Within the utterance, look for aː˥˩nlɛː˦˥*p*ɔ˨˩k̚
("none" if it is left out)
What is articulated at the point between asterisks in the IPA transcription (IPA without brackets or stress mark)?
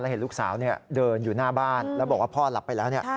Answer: b